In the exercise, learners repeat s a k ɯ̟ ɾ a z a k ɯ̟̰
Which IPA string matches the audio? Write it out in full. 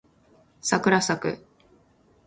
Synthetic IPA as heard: s a k ɯ̟ ɾ a s a k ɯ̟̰